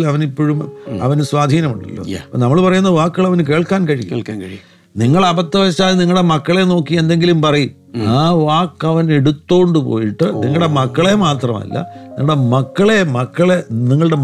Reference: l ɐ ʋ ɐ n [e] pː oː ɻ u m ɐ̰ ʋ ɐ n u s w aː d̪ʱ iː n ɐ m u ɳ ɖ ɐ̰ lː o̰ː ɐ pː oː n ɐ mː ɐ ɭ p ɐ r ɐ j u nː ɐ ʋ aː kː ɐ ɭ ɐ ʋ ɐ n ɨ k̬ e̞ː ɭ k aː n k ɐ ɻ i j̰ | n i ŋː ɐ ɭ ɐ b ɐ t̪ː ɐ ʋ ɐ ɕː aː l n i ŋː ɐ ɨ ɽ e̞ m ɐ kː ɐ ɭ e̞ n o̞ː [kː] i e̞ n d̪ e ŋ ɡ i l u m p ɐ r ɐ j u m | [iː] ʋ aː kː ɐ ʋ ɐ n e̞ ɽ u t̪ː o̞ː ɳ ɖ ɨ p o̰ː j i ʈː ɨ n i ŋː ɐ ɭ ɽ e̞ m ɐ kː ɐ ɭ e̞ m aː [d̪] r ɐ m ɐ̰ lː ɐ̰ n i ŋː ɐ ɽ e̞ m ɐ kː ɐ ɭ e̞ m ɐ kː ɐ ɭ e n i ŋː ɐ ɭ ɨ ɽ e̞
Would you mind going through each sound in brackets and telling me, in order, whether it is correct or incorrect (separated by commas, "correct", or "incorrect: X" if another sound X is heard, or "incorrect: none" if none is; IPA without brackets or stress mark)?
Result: incorrect: i, correct, incorrect: aː, incorrect: t̪